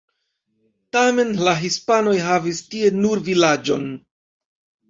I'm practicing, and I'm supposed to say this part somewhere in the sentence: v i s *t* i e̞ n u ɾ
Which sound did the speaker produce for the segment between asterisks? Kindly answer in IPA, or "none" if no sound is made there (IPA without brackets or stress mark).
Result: t